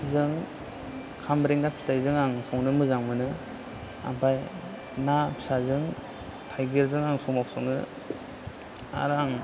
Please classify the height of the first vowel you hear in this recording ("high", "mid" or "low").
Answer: high